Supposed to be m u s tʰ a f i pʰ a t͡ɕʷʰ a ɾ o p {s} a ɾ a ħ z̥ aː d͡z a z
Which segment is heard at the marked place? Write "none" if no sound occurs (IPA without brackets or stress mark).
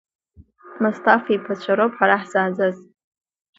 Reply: ħ